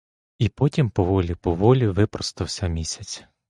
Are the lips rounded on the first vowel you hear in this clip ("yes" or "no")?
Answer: no